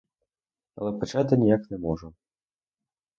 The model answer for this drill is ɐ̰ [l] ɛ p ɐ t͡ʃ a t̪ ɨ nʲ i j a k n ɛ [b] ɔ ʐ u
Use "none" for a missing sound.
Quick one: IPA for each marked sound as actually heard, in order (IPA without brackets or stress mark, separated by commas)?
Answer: l, m